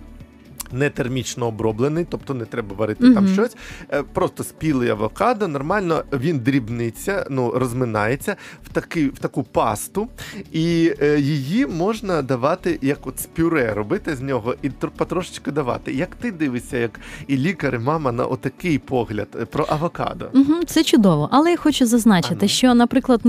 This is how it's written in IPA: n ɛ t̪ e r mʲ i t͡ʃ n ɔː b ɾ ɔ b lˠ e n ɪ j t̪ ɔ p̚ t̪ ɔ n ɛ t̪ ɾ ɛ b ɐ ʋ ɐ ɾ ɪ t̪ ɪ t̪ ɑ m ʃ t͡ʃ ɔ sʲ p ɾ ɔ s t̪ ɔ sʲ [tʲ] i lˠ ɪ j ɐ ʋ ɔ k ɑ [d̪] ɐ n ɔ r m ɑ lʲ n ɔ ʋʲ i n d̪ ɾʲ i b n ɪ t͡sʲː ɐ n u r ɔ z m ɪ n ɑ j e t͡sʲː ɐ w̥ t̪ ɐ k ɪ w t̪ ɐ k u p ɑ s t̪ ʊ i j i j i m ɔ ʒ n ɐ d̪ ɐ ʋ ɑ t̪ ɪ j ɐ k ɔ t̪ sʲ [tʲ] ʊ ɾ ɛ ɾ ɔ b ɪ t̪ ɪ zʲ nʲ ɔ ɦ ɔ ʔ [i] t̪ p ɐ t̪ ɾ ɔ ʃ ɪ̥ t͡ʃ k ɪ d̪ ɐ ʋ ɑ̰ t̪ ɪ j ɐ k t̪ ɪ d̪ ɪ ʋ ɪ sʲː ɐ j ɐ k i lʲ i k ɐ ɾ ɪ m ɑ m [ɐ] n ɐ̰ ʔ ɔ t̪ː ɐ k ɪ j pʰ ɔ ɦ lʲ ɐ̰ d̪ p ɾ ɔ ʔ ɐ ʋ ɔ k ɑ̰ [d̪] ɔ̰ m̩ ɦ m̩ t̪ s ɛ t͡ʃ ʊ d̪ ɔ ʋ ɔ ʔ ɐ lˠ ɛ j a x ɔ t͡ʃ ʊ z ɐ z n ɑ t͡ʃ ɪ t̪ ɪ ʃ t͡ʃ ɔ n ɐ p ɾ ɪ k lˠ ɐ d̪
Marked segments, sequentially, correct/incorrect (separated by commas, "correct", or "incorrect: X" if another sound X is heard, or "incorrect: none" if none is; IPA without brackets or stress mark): incorrect: pʲ, correct, incorrect: pʲ, correct, correct, correct